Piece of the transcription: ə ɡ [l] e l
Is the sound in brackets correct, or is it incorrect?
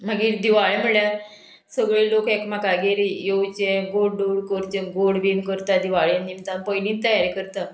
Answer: incorrect